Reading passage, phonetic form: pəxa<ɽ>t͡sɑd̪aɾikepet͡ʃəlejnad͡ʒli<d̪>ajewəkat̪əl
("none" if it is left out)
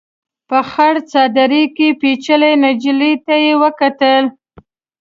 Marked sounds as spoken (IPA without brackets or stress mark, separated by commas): ɽ, t̪